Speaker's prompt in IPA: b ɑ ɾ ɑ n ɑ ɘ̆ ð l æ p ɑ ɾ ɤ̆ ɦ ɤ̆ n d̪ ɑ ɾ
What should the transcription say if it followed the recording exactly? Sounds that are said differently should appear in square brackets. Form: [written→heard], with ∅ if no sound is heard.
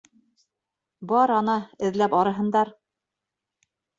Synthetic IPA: b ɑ ɾ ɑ n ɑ ɘ̆ ð l æ p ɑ ɾ ɤ̆ ɦ ɤ̆ n d̪ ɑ ɾ